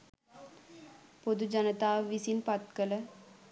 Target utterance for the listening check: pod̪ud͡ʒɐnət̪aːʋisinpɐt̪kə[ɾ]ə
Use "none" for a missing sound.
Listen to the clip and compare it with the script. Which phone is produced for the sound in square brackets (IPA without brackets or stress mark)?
l